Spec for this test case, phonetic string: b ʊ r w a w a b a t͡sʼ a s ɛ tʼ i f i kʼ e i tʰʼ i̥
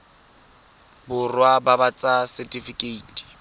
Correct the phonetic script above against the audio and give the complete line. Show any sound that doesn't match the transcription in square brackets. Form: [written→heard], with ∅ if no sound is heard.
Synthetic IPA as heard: b ʊ r w a [w→b] a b a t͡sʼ a s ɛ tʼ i f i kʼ e i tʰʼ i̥